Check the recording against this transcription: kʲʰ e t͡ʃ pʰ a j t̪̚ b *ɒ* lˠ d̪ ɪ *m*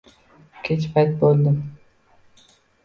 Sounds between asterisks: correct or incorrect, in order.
incorrect: o, correct

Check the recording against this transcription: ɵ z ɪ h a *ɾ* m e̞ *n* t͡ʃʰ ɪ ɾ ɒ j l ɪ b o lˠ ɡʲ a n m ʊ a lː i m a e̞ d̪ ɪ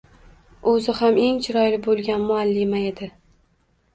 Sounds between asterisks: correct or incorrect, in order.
incorrect: none, incorrect: ŋ

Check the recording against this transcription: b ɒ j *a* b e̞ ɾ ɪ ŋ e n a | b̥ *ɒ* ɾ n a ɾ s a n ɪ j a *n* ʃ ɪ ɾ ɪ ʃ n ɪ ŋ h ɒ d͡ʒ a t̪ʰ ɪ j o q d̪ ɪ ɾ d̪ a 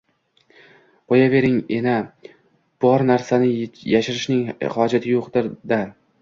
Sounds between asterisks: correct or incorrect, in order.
correct, correct, incorrect: none

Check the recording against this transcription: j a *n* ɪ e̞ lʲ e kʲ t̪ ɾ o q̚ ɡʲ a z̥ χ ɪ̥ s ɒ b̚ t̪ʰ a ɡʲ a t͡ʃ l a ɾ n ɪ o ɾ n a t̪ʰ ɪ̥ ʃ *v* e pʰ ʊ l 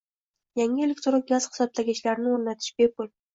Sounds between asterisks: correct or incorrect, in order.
incorrect: ŋ, incorrect: b

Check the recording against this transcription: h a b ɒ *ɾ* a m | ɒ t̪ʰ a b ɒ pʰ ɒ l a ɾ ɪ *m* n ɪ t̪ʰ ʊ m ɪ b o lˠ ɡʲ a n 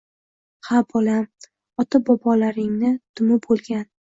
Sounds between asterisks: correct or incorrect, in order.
incorrect: l, incorrect: ŋ

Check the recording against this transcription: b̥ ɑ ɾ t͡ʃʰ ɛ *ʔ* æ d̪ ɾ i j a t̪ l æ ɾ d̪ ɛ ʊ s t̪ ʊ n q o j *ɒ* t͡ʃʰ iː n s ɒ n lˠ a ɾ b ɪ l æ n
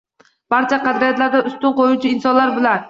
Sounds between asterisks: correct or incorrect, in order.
incorrect: q, incorrect: u

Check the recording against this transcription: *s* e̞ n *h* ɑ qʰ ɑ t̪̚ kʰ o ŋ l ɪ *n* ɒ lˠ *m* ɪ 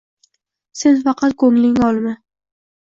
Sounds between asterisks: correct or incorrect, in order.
correct, incorrect: f, incorrect: ŋ, correct

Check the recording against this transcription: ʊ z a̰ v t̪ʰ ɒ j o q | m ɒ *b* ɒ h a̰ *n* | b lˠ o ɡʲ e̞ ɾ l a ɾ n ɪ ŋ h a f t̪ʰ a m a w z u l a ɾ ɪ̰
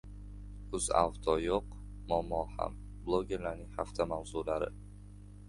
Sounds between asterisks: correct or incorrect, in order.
incorrect: m, incorrect: m

